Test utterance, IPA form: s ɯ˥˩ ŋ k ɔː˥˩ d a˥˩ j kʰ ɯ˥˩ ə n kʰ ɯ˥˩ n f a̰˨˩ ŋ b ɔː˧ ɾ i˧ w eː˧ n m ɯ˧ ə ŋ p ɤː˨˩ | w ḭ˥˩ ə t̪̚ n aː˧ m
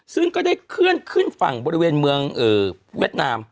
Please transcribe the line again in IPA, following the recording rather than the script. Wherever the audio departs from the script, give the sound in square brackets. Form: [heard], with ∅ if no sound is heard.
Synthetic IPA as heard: s ɯ˥˩ ŋ k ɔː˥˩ d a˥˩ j kʰ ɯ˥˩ ə n kʰ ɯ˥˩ n f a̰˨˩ ŋ b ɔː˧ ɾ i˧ w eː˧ n m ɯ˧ ə ŋ [ʔ] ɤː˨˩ | w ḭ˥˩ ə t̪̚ n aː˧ m